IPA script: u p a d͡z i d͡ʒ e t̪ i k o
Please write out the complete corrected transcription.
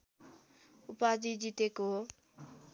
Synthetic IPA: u p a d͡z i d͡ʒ i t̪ e k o